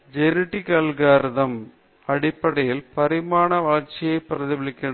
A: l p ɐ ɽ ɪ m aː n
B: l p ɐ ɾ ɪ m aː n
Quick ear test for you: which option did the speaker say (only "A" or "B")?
B